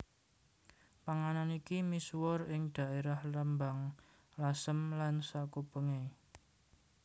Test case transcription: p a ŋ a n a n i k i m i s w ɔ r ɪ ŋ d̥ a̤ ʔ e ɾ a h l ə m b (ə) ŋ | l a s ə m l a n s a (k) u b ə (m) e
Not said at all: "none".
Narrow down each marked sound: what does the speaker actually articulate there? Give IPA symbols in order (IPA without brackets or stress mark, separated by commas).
a, k, ŋ